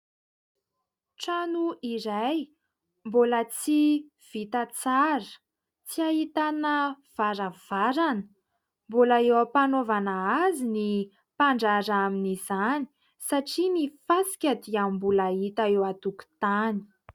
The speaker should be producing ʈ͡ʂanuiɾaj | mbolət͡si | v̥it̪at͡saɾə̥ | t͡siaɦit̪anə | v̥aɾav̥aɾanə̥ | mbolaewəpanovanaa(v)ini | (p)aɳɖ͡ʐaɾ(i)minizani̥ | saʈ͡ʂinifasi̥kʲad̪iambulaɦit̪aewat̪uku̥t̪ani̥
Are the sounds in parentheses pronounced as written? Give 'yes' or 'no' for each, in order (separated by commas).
no, yes, no